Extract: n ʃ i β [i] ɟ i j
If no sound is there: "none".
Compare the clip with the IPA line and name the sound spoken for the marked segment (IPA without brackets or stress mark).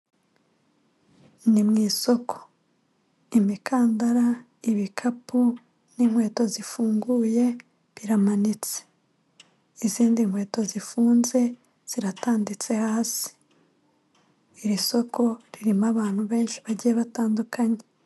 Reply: a